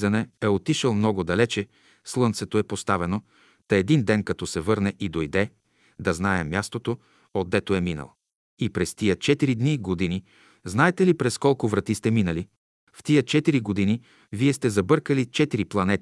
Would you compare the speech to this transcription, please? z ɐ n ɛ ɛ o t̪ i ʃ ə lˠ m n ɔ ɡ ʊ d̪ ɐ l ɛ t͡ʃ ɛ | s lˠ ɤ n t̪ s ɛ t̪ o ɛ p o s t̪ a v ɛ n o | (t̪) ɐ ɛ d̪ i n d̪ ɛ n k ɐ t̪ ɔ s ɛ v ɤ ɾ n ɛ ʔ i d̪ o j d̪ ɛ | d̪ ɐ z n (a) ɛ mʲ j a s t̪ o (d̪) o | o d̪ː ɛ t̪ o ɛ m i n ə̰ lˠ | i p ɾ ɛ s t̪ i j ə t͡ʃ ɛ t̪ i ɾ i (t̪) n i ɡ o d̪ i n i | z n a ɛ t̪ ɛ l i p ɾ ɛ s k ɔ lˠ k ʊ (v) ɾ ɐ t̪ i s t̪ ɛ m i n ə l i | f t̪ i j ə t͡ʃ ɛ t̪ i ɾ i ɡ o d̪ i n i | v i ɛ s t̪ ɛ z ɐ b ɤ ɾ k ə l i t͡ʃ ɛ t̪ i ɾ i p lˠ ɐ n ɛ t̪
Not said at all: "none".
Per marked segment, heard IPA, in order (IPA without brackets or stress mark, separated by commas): t̪, a, t̪, d̪, v